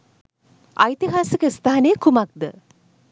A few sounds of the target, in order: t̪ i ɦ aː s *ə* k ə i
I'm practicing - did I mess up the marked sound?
no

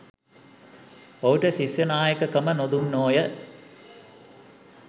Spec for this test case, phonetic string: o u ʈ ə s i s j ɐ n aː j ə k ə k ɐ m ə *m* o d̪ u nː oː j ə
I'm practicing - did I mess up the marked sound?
yes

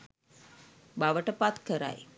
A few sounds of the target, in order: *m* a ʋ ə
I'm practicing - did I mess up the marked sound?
yes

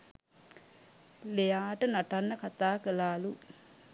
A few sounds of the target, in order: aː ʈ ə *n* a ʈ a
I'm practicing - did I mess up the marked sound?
no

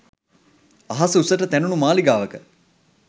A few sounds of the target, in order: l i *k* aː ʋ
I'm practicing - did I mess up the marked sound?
yes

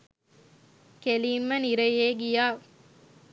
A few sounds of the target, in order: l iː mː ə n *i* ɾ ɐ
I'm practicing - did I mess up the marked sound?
no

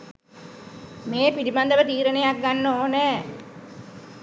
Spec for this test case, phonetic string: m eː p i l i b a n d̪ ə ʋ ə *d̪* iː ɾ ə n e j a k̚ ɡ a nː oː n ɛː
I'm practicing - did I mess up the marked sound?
yes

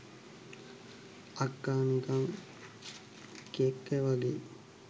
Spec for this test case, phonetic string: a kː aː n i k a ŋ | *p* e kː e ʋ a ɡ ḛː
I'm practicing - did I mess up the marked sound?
yes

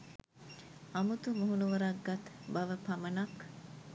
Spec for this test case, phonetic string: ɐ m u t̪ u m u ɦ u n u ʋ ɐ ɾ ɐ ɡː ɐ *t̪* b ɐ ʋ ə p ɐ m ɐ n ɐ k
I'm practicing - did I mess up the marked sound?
no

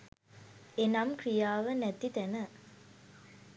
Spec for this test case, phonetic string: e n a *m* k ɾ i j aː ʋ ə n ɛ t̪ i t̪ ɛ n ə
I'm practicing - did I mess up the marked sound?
no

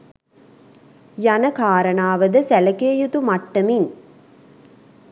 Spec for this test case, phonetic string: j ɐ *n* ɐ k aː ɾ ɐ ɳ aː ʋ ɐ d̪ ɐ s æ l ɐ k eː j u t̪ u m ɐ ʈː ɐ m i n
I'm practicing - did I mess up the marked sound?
no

